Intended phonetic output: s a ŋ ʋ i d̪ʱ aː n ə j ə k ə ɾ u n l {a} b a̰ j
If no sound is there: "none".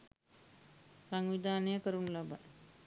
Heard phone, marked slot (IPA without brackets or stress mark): a